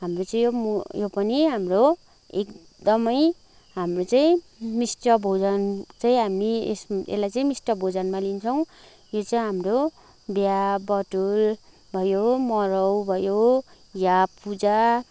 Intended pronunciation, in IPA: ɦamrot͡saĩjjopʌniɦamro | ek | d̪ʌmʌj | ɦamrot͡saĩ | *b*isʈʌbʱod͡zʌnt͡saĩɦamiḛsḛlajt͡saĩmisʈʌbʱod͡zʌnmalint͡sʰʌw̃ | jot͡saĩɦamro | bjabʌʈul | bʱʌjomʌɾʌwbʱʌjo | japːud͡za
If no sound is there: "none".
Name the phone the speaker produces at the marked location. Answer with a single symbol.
m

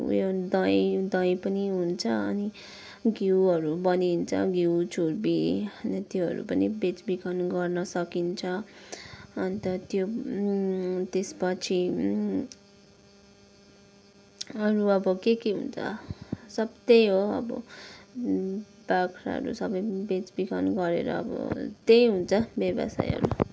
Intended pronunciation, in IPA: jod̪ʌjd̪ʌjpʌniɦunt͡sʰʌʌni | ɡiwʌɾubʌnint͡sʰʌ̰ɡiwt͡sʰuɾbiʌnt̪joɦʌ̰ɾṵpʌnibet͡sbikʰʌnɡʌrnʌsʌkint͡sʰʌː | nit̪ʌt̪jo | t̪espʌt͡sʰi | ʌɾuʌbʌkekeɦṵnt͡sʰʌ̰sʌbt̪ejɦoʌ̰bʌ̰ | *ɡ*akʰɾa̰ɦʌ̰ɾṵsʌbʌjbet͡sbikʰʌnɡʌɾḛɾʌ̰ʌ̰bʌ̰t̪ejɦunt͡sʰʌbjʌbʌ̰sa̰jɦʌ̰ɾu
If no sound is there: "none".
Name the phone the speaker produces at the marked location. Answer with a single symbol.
b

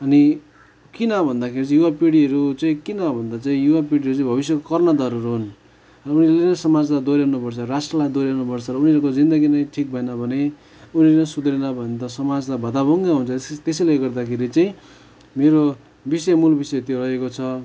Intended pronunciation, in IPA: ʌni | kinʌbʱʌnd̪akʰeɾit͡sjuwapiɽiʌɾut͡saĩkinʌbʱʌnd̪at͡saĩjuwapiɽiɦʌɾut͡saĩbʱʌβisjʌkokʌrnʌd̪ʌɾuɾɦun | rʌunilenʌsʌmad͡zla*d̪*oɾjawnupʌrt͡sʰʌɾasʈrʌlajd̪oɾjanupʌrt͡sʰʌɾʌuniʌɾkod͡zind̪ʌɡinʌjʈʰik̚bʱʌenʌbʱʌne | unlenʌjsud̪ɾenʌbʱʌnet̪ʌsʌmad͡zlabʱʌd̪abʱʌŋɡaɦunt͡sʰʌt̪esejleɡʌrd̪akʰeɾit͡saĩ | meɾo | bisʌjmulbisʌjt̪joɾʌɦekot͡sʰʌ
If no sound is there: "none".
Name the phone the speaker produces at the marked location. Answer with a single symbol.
d̪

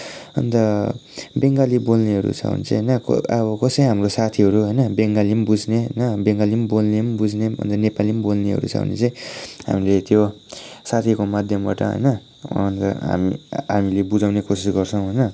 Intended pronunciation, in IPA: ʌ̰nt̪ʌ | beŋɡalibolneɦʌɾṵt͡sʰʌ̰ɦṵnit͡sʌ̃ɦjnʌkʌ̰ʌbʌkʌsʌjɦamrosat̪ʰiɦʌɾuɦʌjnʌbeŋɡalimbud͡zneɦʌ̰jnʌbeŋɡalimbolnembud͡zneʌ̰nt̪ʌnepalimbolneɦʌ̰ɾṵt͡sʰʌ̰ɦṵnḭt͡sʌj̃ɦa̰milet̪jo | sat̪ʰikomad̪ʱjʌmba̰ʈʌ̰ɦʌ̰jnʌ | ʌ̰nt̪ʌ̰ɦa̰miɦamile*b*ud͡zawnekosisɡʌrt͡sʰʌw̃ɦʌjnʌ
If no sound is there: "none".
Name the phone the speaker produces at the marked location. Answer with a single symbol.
b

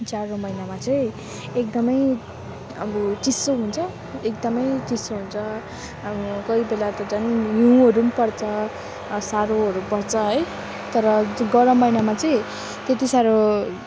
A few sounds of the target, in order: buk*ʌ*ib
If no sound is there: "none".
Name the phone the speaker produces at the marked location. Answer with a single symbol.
ʌ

